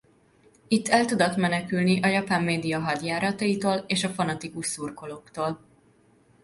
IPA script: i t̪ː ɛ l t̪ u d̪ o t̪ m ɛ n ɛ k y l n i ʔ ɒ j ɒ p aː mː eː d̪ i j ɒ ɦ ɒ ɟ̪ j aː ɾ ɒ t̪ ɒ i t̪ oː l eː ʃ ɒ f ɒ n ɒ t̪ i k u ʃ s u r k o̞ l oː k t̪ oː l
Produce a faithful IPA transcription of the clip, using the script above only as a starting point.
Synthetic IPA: i t̪ː ɛ l t̪ u d̪ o t̪ m ɛ n ɛ k y l n i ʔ ɒ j ɒ p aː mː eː d̪ i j ɒ ɦ ɒ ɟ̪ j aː ɾ ɒ t̪ ɒ i t̪ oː l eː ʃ ɒ f ɒ n ɒ t̪ i k u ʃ s u r k o̞ l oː k t̪ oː l